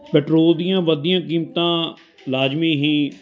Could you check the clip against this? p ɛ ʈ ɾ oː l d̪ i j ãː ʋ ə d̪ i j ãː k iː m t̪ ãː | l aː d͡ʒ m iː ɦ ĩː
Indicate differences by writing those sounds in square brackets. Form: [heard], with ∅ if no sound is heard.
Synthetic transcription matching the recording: p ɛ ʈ ɾ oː l d̪ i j ãː ʋ ə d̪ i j ãː k iː m t̪ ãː | l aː d͡ʒ m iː ɦ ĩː